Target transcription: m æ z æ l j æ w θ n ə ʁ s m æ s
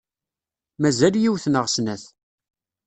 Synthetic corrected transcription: m æ z æ l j i w θ n ə ʁ s n æ θ